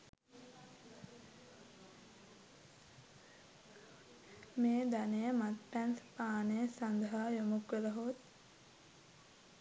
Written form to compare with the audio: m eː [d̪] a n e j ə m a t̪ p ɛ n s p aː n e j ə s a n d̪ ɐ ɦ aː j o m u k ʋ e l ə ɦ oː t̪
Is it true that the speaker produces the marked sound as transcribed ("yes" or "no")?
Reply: yes